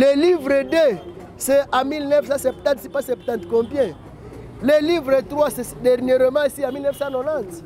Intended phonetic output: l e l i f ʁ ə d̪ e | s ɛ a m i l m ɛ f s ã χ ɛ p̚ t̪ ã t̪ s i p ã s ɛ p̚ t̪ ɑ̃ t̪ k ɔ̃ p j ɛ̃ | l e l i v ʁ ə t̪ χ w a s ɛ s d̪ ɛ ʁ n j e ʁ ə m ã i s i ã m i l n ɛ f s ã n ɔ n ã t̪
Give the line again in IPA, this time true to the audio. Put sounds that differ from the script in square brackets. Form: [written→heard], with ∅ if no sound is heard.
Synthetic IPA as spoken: l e l i [f→v] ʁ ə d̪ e | s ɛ a m i l [m→n] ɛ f s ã [χ→s] ɛ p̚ t̪ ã t̪ s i p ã s ɛ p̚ t̪ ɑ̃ t̪ k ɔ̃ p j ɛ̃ | l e l i v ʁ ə t̪ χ w a s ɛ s d̪ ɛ ʁ n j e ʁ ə m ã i s i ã m i l n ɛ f s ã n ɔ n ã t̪